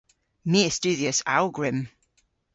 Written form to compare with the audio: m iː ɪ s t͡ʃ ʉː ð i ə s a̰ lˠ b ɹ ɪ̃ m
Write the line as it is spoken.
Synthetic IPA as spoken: m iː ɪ s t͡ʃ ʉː ð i ə s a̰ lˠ ɡ ɹ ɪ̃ m